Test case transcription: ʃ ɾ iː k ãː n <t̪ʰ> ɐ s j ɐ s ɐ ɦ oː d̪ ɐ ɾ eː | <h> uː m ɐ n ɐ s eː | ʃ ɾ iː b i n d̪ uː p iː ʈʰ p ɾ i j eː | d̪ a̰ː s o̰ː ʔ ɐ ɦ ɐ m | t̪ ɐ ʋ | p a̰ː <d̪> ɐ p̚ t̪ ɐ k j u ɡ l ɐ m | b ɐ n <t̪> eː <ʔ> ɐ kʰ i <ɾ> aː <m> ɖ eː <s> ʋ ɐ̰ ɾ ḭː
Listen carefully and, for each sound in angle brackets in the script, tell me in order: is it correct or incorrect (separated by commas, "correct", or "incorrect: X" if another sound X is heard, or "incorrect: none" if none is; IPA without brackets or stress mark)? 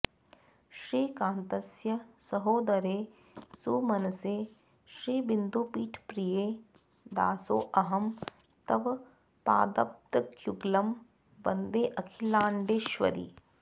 incorrect: t̪, incorrect: s, correct, incorrect: d̪, correct, incorrect: l, incorrect: ɳ, incorrect: ʃ